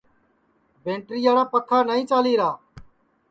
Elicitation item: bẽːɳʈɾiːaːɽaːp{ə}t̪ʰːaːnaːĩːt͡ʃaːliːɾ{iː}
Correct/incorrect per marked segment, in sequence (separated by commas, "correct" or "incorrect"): correct, incorrect